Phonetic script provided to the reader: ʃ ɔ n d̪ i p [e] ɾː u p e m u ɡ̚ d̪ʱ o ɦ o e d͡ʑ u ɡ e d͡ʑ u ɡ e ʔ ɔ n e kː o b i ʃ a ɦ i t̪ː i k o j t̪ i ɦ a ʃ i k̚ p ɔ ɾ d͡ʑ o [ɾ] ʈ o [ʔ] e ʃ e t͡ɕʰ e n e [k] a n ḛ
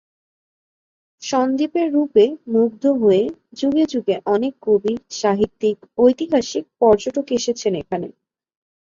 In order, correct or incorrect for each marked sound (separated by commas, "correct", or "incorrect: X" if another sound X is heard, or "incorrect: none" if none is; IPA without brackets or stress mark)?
correct, incorrect: none, incorrect: k, incorrect: kʰ